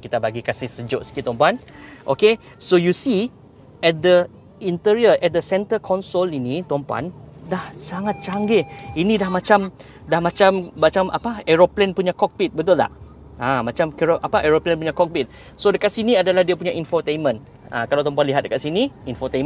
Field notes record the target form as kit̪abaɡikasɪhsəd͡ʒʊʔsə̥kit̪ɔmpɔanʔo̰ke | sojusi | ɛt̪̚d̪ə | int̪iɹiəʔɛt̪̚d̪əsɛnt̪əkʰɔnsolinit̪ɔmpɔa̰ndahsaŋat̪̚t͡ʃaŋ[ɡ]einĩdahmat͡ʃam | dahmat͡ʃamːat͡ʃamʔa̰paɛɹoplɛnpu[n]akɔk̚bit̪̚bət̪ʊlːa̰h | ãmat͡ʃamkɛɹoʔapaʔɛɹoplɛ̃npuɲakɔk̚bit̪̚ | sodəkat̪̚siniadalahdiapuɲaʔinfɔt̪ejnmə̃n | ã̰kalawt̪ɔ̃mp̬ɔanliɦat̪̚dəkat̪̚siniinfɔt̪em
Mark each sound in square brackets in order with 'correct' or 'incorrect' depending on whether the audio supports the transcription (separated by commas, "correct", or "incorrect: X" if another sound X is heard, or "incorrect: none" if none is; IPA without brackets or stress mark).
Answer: correct, incorrect: ɲ